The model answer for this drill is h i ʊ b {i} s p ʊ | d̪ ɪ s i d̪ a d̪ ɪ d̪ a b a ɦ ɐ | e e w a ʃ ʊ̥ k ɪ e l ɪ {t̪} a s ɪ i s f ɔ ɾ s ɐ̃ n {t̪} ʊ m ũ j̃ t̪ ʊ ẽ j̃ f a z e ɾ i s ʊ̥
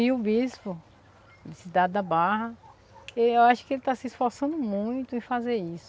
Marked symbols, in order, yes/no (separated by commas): yes, yes, no